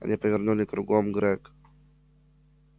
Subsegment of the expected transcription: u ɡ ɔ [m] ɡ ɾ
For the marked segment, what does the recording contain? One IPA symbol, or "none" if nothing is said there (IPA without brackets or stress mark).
m